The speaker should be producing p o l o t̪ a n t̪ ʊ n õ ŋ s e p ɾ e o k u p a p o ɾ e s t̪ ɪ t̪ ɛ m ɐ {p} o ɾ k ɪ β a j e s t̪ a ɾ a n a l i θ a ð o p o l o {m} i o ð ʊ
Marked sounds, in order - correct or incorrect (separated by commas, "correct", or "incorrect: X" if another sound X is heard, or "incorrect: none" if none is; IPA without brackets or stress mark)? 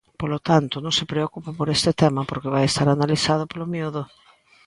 correct, correct